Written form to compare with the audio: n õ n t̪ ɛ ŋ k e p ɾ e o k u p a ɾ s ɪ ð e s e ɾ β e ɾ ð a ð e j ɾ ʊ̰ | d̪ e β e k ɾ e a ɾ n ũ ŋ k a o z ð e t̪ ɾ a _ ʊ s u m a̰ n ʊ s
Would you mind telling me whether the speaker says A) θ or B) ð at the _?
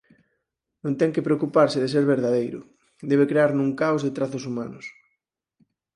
A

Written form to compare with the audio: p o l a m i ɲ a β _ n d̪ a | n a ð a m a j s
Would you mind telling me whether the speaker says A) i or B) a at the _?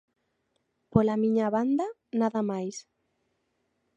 B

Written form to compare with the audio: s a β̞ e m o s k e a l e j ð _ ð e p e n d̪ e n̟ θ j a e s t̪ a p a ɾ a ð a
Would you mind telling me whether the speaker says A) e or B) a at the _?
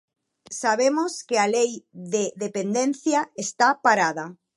A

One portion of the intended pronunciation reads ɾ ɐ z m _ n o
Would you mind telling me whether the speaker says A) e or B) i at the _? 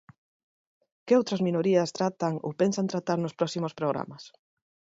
B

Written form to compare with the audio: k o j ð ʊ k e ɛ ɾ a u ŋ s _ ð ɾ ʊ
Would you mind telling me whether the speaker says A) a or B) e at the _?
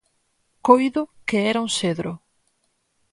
B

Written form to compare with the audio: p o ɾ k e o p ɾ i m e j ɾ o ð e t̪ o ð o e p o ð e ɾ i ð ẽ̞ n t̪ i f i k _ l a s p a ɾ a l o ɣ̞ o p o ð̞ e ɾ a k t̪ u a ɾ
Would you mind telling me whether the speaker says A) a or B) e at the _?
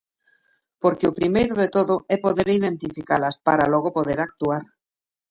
A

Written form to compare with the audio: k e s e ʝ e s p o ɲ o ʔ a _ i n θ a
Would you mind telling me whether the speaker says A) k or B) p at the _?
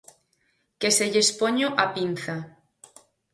B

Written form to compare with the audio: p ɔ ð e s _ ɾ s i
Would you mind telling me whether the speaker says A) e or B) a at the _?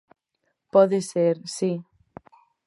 A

